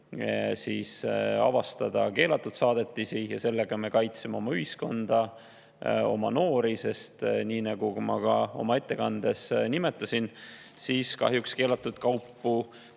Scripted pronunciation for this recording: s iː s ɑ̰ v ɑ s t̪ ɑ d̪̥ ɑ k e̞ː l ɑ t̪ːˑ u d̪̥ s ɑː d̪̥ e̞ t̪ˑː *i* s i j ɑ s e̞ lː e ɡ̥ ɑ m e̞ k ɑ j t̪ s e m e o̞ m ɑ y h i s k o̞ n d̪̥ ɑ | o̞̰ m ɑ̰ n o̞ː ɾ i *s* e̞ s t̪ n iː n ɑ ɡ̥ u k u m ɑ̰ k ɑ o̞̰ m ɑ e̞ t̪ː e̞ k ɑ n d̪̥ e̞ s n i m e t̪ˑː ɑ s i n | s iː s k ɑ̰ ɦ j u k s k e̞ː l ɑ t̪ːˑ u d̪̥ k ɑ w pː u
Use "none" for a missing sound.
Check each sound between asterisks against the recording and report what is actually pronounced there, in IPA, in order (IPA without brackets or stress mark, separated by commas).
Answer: i, s